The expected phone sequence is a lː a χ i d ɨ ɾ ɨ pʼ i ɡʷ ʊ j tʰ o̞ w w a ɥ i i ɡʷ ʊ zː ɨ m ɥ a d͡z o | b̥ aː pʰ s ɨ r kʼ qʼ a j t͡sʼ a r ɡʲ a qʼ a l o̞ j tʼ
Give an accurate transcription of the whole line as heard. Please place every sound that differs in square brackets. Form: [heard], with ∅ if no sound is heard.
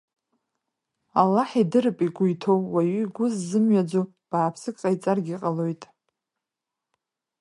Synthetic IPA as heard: a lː a [ħ] i d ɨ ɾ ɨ pʼ i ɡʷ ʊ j tʰ o̞ w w a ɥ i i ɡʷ ʊ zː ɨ m ɥ a d͡z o | b̥ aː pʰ s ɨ [∅] kʼ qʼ a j t͡sʼ a r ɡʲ [i] qʼ a l o̞ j tʼ

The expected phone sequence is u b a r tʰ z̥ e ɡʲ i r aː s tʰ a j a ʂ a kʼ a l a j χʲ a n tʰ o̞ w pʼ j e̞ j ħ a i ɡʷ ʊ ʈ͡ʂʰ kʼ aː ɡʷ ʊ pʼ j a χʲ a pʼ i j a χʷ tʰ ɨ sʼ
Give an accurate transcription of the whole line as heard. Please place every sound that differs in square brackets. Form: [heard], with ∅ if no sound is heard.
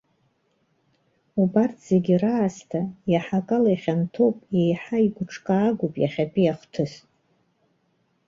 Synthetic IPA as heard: u b a r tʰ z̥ e ɡʲ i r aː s tʰ a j a [ħ] a kʼ a l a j χʲ a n tʰ o̞ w pʼ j e̞ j ħ a i ɡʷ ʊ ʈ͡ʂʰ kʼ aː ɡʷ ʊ pʼ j a χʲ a pʼ i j a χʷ tʰ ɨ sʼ

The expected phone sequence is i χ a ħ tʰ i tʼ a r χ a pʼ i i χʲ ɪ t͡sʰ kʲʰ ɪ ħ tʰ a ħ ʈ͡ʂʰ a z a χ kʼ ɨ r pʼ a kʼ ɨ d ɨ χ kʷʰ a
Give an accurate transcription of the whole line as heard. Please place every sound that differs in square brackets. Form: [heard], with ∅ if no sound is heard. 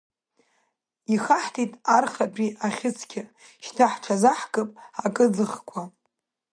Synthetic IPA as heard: i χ a ħ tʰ i tʼ a r χ a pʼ i [a] χʲ ɪ t͡sʰ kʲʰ ɪ [ʃ] tʰ a ħ ʈ͡ʂʰ a z a [ħ] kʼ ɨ [∅] pʼ a kʼ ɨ [d͡z] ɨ χ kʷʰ a

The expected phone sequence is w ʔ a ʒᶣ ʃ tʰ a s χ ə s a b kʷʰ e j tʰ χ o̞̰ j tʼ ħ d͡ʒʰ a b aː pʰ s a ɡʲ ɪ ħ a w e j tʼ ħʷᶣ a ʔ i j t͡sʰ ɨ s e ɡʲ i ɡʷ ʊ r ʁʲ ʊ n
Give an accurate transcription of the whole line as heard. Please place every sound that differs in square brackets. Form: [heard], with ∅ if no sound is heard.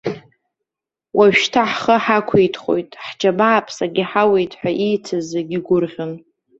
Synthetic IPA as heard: w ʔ a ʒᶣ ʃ tʰ a [ħ] χ ə [ħ] a [∅] kʷʰ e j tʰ χ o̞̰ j tʼ ħ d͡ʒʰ a b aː pʰ s a ɡʲ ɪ ħ a w e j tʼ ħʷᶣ a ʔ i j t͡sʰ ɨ [z] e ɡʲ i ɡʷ ʊ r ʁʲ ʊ n

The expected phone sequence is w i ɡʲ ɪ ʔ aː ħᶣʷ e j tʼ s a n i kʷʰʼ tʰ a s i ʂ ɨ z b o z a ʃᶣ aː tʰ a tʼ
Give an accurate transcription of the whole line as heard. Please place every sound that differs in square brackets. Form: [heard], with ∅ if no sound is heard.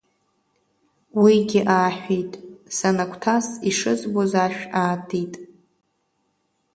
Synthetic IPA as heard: w i ɡʲ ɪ ʔ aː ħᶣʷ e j tʼ s a n [a] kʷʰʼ tʰ a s i ʂ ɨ z b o z a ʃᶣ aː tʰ [i] tʼ

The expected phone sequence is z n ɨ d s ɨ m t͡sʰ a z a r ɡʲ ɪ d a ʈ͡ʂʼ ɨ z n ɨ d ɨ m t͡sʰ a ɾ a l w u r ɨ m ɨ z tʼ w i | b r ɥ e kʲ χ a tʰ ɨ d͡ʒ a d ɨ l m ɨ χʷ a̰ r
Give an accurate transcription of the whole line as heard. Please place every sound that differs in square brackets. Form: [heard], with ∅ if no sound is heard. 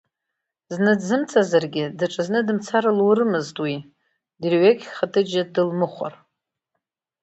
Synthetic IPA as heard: z n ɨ d [z] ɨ m t͡sʰ a z a r ɡʲ ɪ d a ʈ͡ʂʼ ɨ z n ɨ d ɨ m t͡sʰ a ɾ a l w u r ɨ m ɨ z tʼ w i | [d] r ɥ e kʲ χ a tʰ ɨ d͡ʒ a d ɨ l m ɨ χʷ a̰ r

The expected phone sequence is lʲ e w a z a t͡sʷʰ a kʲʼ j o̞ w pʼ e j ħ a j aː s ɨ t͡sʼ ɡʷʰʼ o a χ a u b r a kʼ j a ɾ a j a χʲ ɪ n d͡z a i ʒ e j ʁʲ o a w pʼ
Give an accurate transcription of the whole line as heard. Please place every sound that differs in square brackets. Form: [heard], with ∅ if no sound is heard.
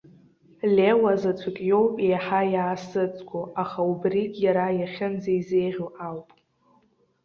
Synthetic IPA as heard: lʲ e w a z a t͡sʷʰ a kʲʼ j o̞ w pʼ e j ħ a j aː s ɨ t͡sʼ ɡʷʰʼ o a χ a u b r [i] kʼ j a ɾ a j a χʲ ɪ n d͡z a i [z] e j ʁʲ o a w pʼ

